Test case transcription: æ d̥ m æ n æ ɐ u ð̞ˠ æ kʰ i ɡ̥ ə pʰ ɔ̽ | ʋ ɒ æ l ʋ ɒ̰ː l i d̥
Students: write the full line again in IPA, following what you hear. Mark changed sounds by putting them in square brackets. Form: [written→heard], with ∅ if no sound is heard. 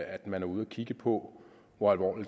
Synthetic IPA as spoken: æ d̥ m æ n æ ɐ u ð̞ˠ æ kʰ i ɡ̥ ə pʰ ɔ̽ | ʋ ɒ æ l ʋ ɒ̰ː l i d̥